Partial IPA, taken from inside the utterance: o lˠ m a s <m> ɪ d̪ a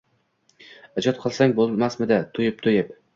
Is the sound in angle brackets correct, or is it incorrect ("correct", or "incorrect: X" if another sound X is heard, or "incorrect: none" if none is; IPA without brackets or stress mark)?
correct